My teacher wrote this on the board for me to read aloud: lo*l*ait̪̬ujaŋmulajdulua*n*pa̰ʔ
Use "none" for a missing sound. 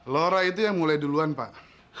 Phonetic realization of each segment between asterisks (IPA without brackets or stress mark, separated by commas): ɾ, n